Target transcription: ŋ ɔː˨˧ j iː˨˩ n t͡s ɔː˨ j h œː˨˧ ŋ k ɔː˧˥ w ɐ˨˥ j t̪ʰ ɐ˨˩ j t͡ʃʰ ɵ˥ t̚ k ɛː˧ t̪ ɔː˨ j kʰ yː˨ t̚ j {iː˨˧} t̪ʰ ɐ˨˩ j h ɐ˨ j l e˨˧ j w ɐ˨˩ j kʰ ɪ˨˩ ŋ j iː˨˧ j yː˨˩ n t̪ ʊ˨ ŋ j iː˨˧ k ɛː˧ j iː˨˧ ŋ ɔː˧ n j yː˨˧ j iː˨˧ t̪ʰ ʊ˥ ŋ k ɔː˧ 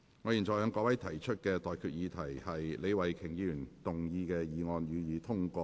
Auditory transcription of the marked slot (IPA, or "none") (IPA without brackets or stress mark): iː˨˧